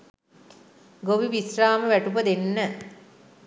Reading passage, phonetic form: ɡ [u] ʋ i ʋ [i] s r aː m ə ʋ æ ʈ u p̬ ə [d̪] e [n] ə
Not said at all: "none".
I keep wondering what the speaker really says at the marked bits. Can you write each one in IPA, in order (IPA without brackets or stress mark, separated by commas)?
o, i, d̪, nː